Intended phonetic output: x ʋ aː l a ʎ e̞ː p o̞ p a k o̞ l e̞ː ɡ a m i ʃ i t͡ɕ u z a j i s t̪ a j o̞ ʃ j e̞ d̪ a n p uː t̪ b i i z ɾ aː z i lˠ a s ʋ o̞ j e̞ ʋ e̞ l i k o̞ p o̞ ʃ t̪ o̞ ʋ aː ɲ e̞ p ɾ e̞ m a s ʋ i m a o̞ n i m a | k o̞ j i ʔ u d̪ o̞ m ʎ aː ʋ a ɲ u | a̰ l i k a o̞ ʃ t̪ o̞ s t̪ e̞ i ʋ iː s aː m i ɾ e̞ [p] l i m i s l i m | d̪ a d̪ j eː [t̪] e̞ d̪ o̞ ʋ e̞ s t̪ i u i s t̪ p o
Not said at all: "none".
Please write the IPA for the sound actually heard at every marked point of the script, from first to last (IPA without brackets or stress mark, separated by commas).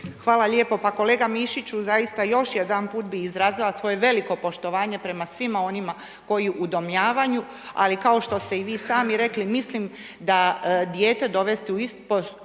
k, t̪